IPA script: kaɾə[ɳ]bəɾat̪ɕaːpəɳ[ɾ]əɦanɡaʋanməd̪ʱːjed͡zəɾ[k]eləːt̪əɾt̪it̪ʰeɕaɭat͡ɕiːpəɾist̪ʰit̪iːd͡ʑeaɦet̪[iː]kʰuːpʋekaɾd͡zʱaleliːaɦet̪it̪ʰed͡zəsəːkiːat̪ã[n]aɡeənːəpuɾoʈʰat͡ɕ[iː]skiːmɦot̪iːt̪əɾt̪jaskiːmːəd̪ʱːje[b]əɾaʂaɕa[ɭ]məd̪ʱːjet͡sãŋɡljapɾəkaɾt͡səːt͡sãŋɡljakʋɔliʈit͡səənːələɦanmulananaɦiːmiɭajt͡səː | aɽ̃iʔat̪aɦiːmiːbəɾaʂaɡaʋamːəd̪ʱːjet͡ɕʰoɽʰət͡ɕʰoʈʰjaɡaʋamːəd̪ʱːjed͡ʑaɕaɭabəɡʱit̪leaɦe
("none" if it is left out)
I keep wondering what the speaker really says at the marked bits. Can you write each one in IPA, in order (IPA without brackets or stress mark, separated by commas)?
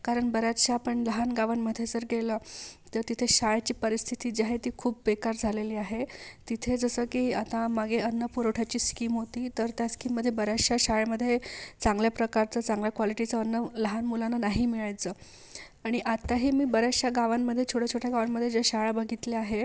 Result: ɳ, l, ɡ, iː, m, iː, b, ɭ